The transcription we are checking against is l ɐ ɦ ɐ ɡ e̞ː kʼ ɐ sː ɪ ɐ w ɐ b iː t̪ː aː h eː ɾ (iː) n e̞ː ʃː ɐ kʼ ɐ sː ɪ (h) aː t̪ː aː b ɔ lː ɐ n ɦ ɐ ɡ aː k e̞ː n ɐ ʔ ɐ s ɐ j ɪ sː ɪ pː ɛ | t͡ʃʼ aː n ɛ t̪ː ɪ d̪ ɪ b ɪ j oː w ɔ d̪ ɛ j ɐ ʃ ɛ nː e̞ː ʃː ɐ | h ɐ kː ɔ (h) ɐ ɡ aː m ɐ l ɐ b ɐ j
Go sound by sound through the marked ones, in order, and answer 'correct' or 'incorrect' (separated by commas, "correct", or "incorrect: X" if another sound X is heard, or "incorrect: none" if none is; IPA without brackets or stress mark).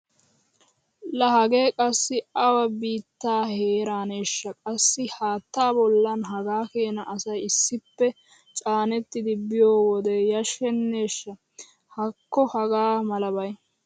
incorrect: aː, correct, correct